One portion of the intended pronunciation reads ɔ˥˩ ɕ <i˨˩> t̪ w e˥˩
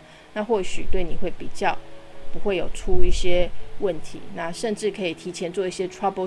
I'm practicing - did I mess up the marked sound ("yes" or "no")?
yes